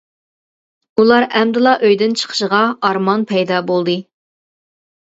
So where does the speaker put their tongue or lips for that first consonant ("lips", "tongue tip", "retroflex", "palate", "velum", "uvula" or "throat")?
tongue tip